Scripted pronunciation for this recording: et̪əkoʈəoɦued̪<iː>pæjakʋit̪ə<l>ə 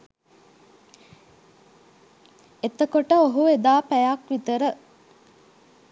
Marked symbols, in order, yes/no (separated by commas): no, no